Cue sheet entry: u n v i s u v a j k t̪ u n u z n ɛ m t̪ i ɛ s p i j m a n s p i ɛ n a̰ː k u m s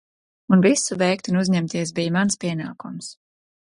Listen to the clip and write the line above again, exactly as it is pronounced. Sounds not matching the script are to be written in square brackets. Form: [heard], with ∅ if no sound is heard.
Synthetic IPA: u n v i s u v [ɛ] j k t̪ u n u z [ɲ] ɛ m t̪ i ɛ s [b] i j m a n s p i ɛ n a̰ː k u m s